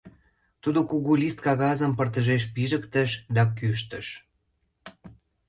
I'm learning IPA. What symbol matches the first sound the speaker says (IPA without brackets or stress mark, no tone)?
t̪